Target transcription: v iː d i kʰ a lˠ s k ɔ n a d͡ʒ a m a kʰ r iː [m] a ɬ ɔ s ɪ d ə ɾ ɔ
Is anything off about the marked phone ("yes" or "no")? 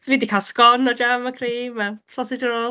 no